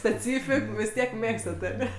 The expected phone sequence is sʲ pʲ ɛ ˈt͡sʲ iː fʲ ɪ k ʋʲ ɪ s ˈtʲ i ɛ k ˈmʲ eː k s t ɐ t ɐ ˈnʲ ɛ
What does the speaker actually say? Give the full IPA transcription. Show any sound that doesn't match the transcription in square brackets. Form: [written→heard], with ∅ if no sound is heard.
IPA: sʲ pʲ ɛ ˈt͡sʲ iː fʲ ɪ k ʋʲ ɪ s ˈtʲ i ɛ k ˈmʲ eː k s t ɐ t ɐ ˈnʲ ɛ